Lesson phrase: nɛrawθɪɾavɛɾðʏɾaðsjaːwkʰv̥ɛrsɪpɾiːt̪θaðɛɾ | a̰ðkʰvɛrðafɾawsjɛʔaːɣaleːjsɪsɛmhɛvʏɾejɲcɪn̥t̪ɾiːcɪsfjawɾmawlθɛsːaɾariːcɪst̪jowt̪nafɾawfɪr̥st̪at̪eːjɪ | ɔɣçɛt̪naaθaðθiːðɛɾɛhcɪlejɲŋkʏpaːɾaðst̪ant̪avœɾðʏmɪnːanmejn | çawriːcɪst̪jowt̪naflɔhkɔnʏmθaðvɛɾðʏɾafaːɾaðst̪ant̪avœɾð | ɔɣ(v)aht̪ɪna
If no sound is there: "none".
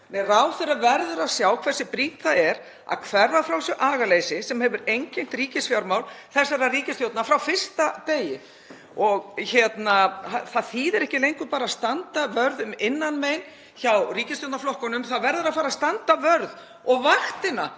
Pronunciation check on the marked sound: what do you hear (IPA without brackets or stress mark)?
v